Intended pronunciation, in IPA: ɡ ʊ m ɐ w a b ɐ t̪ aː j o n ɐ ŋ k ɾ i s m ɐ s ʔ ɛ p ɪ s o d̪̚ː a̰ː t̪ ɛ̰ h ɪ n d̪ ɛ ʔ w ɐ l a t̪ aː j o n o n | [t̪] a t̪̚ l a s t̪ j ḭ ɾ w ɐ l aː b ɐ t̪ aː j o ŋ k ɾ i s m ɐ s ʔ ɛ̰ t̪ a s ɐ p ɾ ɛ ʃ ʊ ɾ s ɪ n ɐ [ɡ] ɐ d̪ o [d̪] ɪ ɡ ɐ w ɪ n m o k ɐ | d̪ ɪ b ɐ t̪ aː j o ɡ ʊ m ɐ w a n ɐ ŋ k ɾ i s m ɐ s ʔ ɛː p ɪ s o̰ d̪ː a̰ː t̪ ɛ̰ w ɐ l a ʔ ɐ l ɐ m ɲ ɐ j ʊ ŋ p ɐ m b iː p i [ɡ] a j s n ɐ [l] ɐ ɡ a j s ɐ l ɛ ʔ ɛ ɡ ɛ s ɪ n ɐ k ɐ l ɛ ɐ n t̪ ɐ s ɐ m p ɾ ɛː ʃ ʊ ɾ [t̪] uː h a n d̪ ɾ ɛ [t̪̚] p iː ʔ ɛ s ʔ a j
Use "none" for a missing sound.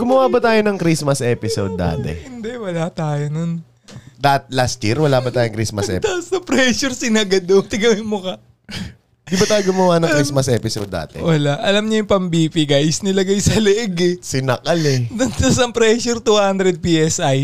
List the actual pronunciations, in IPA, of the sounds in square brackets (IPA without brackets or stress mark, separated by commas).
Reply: d̪, ɡ, t̪, ɡ, l, t̪, d̪̚